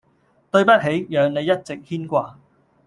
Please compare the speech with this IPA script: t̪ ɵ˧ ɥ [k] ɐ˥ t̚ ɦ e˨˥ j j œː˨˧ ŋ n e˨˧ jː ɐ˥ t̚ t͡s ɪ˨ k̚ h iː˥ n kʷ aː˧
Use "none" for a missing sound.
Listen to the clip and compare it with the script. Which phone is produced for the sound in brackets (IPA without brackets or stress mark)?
p